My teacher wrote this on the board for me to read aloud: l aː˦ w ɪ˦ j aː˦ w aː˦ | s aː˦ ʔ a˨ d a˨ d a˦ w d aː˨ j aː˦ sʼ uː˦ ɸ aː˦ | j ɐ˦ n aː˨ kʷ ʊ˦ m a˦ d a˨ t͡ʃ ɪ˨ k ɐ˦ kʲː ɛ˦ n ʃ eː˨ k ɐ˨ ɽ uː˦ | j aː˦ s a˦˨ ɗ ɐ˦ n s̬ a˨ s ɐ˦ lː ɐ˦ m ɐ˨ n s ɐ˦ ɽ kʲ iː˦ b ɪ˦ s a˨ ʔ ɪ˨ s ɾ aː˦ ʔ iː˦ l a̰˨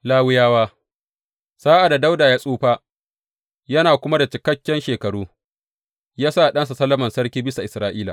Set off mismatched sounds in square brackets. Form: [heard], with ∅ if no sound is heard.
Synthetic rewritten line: l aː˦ w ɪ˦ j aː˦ w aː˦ | s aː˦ ʔ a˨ d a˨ d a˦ w d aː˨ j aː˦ sʼ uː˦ ɸ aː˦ | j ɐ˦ n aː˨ kʷ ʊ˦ m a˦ d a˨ t͡ʃ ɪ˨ k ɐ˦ kʲː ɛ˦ n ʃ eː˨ k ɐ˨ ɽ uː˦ | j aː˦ s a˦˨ ɗ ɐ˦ n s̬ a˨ s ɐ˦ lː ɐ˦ m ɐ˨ n s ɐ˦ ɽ kʲ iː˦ b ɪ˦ s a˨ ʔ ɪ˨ s ɾ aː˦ ʔ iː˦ l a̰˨